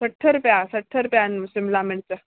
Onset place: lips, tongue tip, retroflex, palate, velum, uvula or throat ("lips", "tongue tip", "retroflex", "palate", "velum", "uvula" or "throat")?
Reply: tongue tip